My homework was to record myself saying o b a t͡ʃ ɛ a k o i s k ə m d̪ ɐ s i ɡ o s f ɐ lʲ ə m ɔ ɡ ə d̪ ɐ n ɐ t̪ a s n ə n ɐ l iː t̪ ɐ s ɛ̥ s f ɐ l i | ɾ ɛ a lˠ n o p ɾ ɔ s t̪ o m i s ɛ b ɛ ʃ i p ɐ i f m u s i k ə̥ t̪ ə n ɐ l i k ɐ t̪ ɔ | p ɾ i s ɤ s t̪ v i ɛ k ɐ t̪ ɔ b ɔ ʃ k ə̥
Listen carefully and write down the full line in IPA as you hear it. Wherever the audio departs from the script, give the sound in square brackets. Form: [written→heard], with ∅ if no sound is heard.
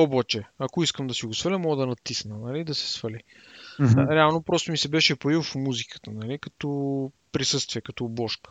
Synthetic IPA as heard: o b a t͡ʃ ɛ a k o i s k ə m d̪ ɐ s i ɡ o s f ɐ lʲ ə m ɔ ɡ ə d̪ ɐ n ɐ t̪ [a→i] s n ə n ɐ l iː [t̪→d̪] ɐ s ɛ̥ s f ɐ l i | ɾ ɛ a lˠ n o p ɾ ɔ s t̪ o m i s ɛ b ɛ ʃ [i→ɛ] p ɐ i f m u [s→z] i k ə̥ t̪ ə n ɐ l i k ɐ t̪ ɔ | p ɾ i s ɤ s t̪ v i ɛ k ɐ t̪ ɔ b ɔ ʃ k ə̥